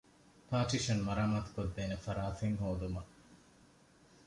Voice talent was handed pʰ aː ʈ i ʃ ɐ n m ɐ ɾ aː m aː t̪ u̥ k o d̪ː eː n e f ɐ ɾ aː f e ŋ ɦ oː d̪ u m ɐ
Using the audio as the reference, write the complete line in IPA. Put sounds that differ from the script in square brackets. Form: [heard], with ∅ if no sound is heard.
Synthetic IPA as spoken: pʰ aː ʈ i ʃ ɐ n m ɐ ɾ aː m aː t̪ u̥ k o d̪ː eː n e f ɐ ɾ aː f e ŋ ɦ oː d̪ u m ɐ